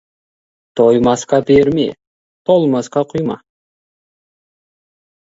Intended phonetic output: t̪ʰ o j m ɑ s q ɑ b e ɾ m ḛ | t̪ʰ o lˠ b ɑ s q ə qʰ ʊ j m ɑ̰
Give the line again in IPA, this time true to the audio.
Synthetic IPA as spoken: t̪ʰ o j m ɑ s q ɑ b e ɾ m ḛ | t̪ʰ o lˠ m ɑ s q ɑ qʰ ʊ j m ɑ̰